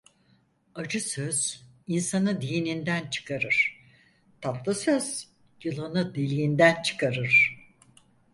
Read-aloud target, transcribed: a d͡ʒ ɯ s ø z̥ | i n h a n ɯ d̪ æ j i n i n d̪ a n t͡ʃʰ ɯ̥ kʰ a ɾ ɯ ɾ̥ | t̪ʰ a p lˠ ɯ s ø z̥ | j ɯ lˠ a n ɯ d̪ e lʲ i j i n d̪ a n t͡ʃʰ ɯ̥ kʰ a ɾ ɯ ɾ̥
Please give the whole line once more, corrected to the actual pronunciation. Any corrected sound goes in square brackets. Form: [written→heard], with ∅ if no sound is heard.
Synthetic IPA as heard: a d͡ʒ ɯ s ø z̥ | i n [h→s] a n ɯ d̪ [æ→i] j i n i n d̪ [a→æ] n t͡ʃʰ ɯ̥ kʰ a ɾ ɯ ɾ̥ | t̪ʰ a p lˠ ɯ s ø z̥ | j ɯ lˠ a n ɯ d̪ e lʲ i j i n d̪ [a→æ] n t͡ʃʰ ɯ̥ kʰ a ɾ ɯ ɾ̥